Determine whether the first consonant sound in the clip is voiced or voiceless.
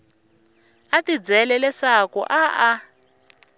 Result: voiceless